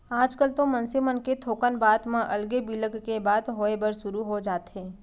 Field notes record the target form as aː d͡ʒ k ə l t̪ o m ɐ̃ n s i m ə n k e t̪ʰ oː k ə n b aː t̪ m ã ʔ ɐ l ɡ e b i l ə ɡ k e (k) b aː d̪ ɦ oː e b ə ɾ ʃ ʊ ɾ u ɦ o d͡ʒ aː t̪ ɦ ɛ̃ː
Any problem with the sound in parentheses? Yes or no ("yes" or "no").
yes